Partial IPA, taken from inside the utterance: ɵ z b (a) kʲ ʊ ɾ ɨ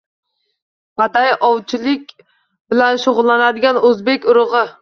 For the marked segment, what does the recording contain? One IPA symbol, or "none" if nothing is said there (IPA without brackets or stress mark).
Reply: e